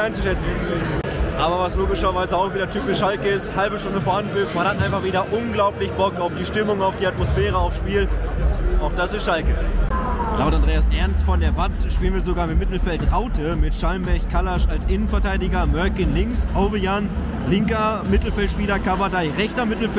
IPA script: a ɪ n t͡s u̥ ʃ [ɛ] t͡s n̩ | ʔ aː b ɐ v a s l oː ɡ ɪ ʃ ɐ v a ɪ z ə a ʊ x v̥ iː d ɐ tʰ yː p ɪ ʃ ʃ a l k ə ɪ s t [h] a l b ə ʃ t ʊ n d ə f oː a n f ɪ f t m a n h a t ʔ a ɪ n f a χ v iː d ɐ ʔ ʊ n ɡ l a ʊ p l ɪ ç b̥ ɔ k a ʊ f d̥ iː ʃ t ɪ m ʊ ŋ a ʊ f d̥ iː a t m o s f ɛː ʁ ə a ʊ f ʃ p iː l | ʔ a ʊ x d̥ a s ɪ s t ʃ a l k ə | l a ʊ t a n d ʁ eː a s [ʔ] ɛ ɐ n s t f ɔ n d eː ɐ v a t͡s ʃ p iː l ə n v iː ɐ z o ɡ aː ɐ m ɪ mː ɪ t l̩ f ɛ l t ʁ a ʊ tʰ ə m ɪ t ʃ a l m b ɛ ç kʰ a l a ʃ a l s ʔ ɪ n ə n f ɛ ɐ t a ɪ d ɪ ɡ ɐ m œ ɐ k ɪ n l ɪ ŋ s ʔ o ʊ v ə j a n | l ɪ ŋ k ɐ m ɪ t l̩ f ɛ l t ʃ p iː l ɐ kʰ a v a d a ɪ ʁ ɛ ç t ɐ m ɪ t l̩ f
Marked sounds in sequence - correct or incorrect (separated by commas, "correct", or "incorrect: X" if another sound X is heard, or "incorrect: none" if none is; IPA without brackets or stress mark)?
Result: correct, correct, correct